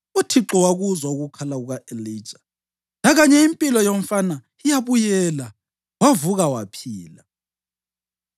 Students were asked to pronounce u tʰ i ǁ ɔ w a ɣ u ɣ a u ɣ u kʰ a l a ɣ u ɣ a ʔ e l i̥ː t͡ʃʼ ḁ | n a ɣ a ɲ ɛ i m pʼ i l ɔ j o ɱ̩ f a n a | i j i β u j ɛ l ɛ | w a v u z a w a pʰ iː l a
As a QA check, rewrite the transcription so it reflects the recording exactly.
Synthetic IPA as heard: u tʰ i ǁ ɔ w a ɣ u z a u ɣ u kʰ a l a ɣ u ɣ a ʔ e l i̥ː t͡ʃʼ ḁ | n a ɣ a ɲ ɛ i m pʼ i l ɔ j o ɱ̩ f a n a | i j a β u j ɛ l a | w a v u ɣ a w a pʰ iː l a